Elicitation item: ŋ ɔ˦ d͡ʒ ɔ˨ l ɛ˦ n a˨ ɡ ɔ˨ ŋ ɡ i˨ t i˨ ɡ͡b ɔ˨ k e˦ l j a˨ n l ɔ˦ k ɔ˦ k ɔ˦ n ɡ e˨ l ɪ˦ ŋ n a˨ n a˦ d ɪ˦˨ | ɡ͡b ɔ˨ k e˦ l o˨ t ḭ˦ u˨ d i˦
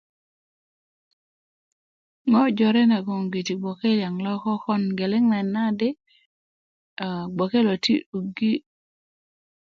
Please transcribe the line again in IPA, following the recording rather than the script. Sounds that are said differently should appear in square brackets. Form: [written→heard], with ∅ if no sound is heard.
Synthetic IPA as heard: ŋ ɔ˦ d͡ʒ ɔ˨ [l→ɾ] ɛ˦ n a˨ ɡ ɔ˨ ŋ ɡ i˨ t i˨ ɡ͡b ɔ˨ k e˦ l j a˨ [n→ŋ] l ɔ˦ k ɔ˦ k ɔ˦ n ɡ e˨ l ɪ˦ ŋ n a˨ n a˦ d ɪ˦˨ | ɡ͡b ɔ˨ k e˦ l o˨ t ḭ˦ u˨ [d→ɡ] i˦